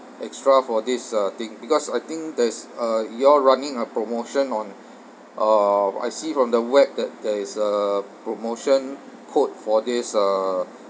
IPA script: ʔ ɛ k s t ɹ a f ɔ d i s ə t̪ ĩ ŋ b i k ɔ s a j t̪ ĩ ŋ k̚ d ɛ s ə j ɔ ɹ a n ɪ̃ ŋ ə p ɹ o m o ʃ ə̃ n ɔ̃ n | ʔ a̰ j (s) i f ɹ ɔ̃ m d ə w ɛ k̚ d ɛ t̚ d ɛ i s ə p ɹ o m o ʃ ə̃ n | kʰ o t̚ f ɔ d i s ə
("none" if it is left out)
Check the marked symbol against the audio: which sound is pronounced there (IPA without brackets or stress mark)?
s